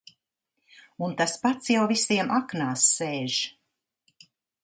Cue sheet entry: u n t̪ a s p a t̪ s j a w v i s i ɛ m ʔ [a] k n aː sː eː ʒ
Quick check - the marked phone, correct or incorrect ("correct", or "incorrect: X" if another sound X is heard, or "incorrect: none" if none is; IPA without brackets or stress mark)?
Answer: correct